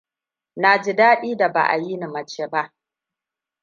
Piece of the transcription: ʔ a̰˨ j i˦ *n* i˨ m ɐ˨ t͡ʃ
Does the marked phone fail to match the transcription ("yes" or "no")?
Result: no